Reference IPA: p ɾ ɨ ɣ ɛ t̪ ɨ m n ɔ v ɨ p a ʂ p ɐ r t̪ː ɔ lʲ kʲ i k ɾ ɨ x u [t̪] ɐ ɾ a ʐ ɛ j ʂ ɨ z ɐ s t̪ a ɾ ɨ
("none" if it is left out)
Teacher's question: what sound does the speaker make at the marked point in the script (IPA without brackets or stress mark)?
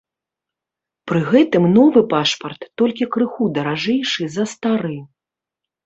d̪